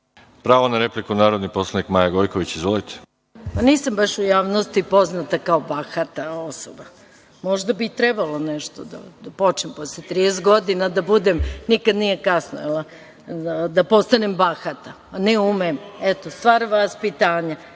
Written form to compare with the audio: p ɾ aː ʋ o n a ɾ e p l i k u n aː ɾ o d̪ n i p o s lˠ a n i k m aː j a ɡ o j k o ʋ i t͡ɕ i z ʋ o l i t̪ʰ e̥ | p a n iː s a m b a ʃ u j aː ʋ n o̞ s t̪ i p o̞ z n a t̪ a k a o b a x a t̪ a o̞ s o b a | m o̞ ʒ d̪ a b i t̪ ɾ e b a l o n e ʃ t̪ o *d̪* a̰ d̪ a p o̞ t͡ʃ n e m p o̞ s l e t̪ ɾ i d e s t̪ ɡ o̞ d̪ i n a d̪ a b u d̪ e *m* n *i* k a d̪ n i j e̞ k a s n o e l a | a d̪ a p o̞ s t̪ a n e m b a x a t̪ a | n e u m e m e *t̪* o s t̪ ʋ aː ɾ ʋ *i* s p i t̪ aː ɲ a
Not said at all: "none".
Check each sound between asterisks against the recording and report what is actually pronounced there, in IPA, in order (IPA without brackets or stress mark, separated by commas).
d̪, m, i, t̪, a